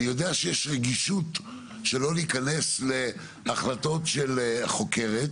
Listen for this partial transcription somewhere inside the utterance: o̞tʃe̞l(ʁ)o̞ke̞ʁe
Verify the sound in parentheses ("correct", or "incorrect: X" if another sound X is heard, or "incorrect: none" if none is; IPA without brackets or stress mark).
incorrect: χ